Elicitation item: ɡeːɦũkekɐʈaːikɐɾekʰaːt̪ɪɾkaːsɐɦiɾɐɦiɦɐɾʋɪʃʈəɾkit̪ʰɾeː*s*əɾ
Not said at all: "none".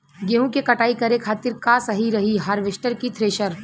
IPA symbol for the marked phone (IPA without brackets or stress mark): ʃ